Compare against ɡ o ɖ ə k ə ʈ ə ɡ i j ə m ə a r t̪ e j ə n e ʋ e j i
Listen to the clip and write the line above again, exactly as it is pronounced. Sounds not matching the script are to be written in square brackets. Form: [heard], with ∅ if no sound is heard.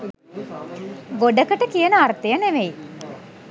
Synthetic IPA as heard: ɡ o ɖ ə k ə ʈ ə [k] i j ə [n] ə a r t̪ e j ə n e ʋ e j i